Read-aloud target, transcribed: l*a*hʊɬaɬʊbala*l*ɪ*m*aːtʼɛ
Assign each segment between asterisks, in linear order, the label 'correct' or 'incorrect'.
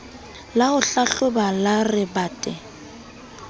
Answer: correct, incorrect: r, incorrect: b

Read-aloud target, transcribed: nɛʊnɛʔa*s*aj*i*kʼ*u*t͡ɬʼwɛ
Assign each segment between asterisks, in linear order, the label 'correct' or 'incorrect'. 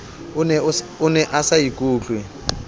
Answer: correct, correct, incorrect: uː

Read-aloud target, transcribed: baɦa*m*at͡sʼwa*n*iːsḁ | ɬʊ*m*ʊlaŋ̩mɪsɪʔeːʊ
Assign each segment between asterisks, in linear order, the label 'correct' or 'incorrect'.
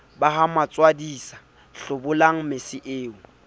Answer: correct, incorrect: d, incorrect: b

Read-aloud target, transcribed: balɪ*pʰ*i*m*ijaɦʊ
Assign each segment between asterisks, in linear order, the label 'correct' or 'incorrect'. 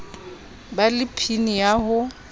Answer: correct, incorrect: n

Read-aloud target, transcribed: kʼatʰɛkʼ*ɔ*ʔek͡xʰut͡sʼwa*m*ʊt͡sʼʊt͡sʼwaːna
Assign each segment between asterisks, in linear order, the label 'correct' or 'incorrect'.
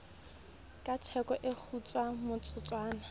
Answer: correct, correct

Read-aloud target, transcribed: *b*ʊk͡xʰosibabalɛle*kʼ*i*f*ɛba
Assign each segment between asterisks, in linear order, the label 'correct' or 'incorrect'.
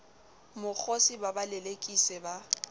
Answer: incorrect: m, correct, incorrect: s

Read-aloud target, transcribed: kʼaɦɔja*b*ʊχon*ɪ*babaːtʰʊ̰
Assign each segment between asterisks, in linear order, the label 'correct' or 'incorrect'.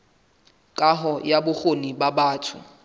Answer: correct, incorrect: i

